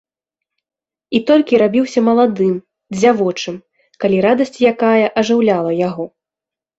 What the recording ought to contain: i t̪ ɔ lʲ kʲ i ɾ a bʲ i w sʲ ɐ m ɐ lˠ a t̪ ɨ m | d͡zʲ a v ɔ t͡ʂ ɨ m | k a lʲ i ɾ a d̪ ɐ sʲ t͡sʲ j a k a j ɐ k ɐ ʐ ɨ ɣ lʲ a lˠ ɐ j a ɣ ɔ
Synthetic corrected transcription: i t̪ ɔ lʲ kʲ i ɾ a bʲ i w sʲ ɐ m ɐ lˠ a d̪ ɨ m | d͡zʲ a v ɔ t͡ʂ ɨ m | k a lʲ i ɾ a d̪ ɐ sʲ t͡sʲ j a k a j ɐ ʔ ɐ ʐ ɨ w lʲ a lˠ ɐ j a ɣ ɔ